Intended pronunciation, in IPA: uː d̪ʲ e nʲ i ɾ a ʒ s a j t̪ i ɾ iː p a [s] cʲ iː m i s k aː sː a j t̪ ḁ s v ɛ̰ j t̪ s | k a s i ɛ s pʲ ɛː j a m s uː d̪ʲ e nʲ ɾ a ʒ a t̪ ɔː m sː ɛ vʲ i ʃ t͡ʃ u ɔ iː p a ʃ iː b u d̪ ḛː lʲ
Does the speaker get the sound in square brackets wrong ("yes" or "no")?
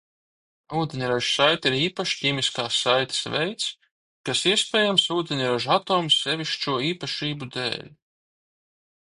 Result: yes